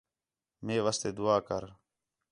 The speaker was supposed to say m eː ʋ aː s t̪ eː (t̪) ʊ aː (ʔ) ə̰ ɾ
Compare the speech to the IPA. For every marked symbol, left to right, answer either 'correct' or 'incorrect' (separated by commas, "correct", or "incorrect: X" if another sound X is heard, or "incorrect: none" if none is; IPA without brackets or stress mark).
incorrect: d̪, incorrect: k